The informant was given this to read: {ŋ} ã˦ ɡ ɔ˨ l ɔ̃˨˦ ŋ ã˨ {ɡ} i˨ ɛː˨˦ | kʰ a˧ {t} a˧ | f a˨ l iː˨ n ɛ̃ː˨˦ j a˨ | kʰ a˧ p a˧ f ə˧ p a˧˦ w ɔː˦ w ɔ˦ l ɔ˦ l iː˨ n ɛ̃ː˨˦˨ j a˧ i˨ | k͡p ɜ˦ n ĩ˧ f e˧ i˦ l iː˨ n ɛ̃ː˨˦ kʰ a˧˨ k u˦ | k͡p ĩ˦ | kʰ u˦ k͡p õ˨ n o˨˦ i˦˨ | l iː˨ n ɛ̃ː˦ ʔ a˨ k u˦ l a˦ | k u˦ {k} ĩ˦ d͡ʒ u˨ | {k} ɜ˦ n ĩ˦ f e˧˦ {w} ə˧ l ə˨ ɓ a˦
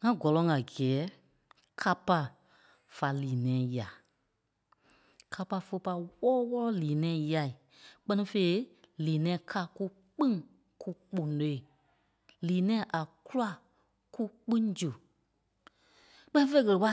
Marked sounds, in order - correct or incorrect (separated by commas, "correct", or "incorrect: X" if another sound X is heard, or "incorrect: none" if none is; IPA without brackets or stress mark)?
correct, correct, incorrect: p, incorrect: k͡p, incorrect: k͡p, incorrect: ɣ